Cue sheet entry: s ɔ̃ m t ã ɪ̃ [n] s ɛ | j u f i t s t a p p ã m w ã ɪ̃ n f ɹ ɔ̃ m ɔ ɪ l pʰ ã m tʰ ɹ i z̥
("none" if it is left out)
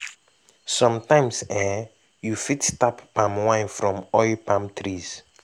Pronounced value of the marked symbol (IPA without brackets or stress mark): m